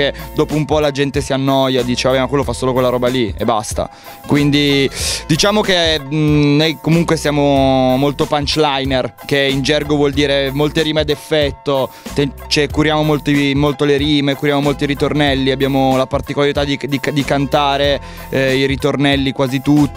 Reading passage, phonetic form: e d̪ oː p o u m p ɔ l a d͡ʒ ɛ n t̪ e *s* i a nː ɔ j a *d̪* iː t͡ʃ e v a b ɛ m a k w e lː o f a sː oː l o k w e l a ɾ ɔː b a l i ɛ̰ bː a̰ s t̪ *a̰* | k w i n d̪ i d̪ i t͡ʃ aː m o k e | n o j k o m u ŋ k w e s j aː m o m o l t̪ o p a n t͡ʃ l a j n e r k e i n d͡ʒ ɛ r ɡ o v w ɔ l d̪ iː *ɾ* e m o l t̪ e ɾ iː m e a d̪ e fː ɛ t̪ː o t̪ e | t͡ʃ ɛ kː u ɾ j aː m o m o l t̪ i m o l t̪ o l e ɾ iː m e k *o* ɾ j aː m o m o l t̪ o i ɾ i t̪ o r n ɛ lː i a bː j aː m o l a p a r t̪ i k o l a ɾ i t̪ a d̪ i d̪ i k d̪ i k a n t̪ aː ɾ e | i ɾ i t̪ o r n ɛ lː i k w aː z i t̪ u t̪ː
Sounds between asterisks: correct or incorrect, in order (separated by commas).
correct, correct, correct, correct, incorrect